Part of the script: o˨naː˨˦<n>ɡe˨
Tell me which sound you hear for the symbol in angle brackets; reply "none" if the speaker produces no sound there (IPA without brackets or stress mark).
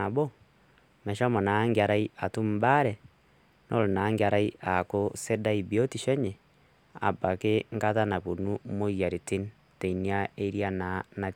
ŋ